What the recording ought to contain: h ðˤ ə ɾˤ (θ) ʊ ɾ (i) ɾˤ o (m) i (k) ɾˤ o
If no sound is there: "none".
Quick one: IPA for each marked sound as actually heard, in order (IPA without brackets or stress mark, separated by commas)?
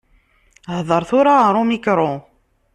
θ, a, m, k